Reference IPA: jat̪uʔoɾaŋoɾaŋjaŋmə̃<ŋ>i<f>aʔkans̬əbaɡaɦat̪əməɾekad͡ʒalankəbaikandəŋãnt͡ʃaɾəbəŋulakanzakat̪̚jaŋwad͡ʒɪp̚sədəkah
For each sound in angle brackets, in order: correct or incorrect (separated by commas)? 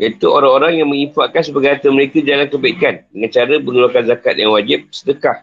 correct, correct